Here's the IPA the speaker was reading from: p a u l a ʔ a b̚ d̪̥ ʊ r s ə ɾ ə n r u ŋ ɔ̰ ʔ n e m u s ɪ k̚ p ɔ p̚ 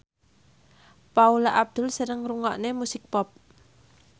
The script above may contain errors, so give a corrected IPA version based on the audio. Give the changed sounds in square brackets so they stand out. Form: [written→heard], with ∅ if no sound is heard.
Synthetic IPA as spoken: p a u l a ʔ a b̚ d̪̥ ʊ [r→l] s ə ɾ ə [n→ŋ] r u ŋ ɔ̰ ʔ n e m u s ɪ k̚ p ɔ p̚